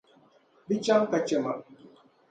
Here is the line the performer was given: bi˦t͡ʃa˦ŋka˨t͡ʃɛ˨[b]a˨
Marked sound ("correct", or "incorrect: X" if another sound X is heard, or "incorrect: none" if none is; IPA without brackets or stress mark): incorrect: m